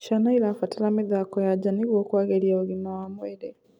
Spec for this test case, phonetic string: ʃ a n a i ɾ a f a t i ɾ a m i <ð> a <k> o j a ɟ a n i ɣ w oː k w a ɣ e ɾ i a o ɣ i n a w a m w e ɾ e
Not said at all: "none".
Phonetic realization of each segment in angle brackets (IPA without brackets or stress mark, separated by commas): ð, k